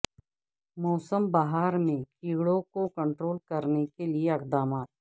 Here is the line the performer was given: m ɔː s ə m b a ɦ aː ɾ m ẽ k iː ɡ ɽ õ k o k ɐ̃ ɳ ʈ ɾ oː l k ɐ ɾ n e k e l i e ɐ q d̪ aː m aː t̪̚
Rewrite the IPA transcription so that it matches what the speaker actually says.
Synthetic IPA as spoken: m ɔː s ə m b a ɦ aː ɾ m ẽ k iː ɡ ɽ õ k o k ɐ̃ ɳ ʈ ɾ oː l k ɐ ɾ n e k e l i e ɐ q d̪ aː m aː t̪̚

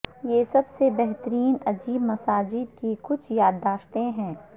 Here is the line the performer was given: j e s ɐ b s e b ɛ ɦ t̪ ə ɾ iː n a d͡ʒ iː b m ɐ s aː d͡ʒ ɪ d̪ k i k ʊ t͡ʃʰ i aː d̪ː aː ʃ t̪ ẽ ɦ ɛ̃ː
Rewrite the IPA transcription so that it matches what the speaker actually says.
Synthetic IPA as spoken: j e s ɐ b s e b ɛ ɦ t̪ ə ɾ iː n ɐ d͡ʒ iː b m ɐ s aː d͡ʒ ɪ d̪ k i k ʊ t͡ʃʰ j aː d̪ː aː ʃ t̪ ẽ ɦ ɛ̃ː

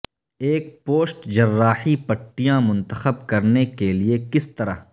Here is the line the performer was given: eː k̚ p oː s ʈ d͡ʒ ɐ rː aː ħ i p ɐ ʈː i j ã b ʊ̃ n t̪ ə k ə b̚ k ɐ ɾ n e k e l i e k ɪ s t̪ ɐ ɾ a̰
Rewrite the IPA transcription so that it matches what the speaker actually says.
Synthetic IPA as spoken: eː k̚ p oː s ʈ d͡ʒ ɐ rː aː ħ i p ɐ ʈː i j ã m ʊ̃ n t̪ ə x ə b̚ k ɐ ɾ n e k e l i e k ɪ s t̪ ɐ ɾ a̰

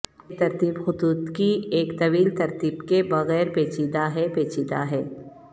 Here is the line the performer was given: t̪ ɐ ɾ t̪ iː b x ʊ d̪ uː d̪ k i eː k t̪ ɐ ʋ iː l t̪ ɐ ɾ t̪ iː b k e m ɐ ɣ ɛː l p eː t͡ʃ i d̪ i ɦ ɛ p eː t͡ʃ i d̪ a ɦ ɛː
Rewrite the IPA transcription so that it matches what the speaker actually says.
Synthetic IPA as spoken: t̪ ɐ ɾ t̪ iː b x ʊ d̪ uː d̪ k i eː k t̪ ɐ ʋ iː l t̪ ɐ ɾ t̪ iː b k e b ɐ ɣ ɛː ɾ p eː t͡ʃ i d̪ a ɦ ɛ p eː t͡ʃ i d̪ a ɦ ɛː

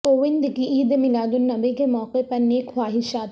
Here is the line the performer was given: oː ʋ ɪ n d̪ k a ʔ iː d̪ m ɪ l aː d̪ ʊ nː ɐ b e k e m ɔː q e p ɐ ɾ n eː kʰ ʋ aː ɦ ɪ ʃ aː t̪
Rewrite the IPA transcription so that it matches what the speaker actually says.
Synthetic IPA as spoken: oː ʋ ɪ n d̪ k i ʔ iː d̪ m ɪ l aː d̪ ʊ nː ɐ b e k e m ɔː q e p ɐ ɾ n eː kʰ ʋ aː ɦ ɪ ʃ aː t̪

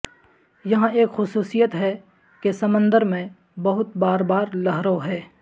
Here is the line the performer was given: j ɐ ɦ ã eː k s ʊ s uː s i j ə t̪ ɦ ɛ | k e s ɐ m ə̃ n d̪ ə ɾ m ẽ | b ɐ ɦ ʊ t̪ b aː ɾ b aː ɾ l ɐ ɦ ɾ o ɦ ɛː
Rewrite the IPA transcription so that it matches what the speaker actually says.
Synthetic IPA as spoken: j ɐ ɦ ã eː k x ʊ s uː s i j ə t̪ ɦ ɛ | k e s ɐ m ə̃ n d̪ ə ɾ m ẽ | b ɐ ɦ ʊ t̪ b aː ɾ b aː ɾ l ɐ ɦ ɾ o ɦ ɛː

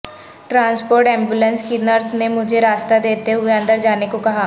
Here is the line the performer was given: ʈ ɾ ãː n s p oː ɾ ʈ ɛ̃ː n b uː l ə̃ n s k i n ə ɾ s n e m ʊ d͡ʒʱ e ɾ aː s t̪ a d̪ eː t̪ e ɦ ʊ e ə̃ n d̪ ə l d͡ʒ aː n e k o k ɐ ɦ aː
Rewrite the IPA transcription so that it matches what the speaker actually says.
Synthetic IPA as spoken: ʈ ɾ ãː n s p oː ɾ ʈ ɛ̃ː m b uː l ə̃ n s k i n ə ɾ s n e m ʊ d͡ʒʱ e ɾ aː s t̪ a d̪ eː t̪ e ɦ ʊ e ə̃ n d̪ ə ɾ d͡ʒ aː n e k o k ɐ ɦ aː

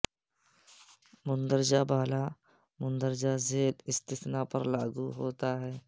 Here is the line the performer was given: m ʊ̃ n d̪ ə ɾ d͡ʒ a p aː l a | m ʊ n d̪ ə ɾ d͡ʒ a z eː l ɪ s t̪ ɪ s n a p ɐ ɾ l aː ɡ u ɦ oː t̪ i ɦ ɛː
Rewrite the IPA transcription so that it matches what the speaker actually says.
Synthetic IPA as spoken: m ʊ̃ n d̪ ə ɾ d͡ʒ a b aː l a | m ʊ n d̪ ə ɾ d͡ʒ a z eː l ɪ s t̪ ɪ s n a p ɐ ɾ l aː ɡ u ɦ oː t̪ a ɦ ɛː

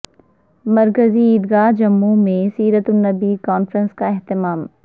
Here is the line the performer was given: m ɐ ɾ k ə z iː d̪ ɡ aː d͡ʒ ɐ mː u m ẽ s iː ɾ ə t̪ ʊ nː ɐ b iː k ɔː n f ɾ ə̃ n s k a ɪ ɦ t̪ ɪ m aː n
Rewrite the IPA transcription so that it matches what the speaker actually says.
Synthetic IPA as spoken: m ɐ ɾ k ə z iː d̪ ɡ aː d͡ʒ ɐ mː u m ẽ s iː ɾ ə t̪ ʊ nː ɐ b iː k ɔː n f ɾ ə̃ n s k a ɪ ɦ t̪ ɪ m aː m

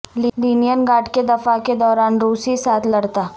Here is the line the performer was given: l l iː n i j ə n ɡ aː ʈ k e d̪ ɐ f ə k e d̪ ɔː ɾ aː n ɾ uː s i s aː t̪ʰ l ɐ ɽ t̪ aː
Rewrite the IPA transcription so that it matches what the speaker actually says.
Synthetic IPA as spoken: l l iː n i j ə n ɡ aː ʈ k e d̪ ɐ f a k e d̪ ɔː ɾ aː n ɾ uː s i s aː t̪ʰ l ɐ ɽ t̪ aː

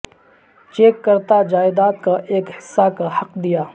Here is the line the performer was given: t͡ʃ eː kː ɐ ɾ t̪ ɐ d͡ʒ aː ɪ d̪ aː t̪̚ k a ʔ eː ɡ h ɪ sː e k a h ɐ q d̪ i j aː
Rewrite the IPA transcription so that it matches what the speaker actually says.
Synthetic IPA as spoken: t͡ʃ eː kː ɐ ɾ t̪ a d͡ʒ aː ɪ d̪ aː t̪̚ k a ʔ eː k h ɪ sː a k a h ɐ q d̪ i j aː

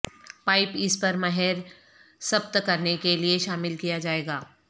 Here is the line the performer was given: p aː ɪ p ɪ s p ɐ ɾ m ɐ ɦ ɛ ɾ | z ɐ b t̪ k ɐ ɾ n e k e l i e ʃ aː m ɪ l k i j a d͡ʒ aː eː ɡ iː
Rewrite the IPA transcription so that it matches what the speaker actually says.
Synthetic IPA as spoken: p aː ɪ p ɪ s p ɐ ɾ m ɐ ɦ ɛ ɾ | s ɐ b t̪ k ɐ ɾ n e k e l i e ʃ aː m ɪ l k i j a d͡ʒ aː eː ɡ aː

